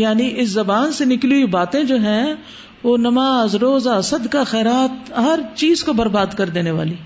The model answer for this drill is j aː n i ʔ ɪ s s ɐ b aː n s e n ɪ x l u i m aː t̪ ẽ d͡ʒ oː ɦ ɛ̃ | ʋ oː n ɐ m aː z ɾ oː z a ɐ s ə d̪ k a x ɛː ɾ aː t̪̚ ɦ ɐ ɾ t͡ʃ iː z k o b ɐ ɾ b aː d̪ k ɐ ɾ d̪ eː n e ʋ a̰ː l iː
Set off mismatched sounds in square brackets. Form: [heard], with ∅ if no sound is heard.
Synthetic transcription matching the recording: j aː n i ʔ ɪ s [z] ɐ b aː n s e n ɪ [k] l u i [b] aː t̪ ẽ d͡ʒ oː ɦ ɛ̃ | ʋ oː n ɐ m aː z ɾ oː z a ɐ s ə d̪ k a x ɛː ɾ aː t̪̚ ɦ ɐ ɾ t͡ʃ iː z k o b ɐ ɾ b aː d̪ k ɐ ɾ d̪ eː n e ʋ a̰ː l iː